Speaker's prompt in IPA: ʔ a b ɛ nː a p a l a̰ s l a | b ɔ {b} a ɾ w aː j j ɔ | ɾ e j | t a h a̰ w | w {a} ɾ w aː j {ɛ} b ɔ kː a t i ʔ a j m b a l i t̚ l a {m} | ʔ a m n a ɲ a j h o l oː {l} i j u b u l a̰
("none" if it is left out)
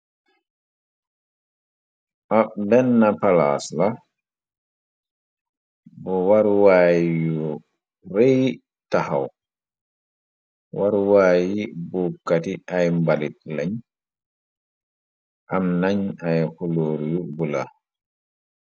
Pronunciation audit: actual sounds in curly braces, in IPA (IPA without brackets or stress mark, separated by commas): w, a, i, ɲ, ɾ